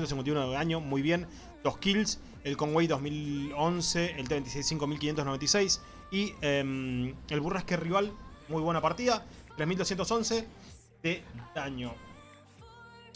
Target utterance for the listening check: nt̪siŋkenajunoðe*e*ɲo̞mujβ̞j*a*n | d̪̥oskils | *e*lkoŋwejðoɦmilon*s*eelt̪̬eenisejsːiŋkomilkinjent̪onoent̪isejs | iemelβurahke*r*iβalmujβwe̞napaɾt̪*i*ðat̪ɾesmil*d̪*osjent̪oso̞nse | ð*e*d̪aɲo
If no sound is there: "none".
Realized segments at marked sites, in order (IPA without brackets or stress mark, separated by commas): a, e, e, s, r, i, d̪, e